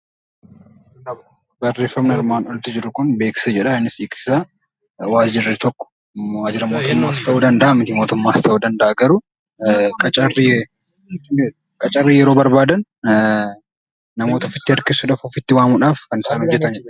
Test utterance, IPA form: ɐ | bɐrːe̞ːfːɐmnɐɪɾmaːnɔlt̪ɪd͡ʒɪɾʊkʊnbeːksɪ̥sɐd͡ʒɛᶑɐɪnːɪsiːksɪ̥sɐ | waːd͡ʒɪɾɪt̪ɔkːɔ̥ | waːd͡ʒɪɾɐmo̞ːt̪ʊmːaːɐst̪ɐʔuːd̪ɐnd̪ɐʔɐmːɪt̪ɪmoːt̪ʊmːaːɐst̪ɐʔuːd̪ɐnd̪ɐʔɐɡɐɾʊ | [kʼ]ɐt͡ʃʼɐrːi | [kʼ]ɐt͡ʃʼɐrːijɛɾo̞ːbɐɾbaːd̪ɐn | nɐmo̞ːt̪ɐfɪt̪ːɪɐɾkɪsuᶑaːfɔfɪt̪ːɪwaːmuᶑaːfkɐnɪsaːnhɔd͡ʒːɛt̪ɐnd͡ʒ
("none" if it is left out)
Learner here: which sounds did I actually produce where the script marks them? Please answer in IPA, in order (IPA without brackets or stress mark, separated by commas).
kʼ, kʼ